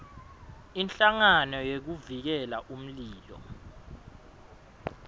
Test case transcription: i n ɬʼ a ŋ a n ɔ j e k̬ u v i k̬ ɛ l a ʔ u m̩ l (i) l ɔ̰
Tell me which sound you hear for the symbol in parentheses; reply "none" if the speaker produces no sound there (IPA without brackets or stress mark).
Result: iː